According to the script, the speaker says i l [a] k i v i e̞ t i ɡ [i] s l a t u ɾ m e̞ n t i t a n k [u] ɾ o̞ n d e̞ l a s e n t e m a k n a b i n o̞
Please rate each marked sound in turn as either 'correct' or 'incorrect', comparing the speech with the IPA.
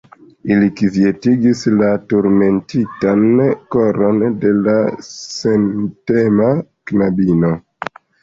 incorrect: i, correct, incorrect: o

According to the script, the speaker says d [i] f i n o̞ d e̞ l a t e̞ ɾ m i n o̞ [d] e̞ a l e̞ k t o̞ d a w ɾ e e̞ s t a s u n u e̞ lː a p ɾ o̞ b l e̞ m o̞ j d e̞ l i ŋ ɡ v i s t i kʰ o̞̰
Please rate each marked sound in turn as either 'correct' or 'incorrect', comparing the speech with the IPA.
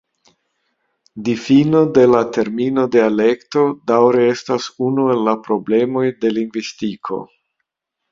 correct, correct

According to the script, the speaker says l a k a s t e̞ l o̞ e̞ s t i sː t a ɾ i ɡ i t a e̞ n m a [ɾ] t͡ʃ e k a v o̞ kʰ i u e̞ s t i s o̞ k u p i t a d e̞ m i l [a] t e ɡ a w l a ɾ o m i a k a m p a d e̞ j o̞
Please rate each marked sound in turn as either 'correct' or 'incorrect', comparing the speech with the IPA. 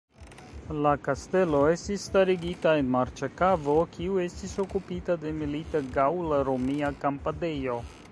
correct, incorrect: i

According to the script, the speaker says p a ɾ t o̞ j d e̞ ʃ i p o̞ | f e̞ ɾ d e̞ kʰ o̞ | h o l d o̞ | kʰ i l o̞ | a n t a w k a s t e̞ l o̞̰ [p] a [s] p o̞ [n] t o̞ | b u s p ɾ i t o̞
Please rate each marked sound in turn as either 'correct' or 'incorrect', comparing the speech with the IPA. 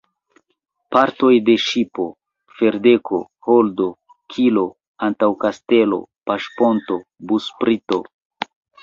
correct, incorrect: ʃ, correct

